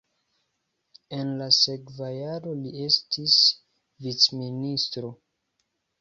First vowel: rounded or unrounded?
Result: unrounded